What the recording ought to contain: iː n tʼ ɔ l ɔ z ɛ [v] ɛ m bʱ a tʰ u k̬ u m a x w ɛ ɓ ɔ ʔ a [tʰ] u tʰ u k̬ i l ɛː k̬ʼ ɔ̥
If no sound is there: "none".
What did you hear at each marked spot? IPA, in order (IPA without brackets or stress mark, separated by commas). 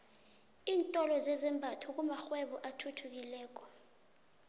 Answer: z, tʰ